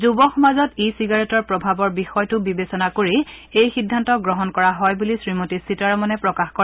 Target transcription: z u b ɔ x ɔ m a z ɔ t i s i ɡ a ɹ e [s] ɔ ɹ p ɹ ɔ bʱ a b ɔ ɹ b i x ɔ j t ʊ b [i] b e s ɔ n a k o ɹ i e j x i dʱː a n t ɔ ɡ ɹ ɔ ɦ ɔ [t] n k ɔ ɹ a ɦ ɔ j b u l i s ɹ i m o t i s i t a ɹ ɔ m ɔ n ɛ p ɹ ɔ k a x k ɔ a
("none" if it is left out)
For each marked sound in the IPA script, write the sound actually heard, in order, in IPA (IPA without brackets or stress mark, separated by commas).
t, i, none